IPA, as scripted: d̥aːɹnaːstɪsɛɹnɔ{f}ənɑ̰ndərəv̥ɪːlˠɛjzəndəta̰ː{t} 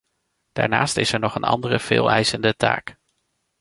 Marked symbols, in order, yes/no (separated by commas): no, no